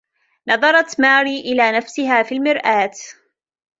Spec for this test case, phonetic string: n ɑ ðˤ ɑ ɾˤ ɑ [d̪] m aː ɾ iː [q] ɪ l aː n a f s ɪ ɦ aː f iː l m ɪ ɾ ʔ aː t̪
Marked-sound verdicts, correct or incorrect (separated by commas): incorrect, incorrect